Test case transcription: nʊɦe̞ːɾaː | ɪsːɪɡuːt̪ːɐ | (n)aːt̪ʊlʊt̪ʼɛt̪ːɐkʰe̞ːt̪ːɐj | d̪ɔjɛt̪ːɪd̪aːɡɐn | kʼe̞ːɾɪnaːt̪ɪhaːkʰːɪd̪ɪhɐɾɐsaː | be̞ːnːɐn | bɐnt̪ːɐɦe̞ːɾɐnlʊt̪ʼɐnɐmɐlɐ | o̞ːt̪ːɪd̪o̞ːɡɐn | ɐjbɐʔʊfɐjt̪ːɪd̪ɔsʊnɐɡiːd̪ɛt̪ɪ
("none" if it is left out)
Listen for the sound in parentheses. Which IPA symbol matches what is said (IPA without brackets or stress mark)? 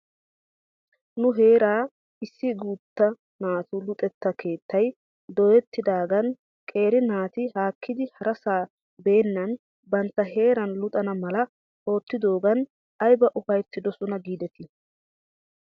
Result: n